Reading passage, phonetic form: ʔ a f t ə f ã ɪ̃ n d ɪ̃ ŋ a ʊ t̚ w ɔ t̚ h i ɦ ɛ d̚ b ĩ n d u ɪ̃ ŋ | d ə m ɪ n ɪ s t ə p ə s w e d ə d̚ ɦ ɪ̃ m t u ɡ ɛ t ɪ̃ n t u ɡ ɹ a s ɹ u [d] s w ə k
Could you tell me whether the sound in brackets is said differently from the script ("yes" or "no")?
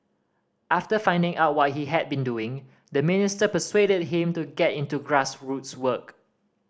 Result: yes